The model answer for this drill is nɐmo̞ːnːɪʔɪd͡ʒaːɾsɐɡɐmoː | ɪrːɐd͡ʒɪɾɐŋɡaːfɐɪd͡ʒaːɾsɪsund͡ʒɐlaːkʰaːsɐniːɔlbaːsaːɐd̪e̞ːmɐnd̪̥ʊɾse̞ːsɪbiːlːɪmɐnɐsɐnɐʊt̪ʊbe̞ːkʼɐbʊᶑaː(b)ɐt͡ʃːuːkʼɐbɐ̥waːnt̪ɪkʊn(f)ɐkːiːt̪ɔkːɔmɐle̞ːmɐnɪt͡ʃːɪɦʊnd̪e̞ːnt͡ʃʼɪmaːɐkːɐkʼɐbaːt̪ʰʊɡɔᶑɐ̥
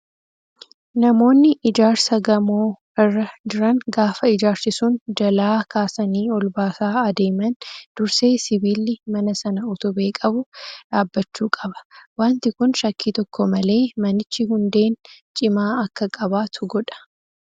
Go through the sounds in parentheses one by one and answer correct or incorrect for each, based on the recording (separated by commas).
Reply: incorrect, incorrect